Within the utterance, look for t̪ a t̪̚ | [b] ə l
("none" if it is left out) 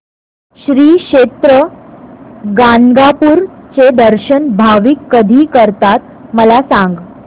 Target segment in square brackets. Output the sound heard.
m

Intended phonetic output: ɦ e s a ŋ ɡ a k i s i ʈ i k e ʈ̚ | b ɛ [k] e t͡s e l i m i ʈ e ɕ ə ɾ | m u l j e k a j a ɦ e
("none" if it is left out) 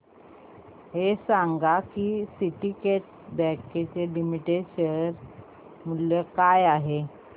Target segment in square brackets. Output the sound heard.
k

